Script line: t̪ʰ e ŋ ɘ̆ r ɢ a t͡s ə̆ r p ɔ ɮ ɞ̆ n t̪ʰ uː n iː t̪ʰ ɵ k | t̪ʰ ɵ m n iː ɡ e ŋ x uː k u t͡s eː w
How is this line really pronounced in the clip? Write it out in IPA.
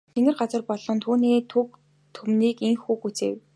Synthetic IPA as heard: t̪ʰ e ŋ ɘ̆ r ɢ a t͡s ə̆ r p ɔ ɮ ɞ̆ n t̪ʰ uː n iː t̪ʰ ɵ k | t̪ʰ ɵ m n iː k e ŋ x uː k u t͡s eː w